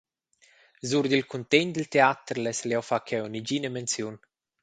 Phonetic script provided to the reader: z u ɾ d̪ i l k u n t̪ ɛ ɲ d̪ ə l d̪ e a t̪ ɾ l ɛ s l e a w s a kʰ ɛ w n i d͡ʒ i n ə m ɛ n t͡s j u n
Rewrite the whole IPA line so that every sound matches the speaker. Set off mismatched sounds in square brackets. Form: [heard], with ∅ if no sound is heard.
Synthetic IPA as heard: z u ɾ d̪ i l k u n t̪ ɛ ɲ d̪ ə l [t̪] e a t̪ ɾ l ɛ s l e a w [f] a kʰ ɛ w n i d͡ʒ i n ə m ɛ n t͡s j u n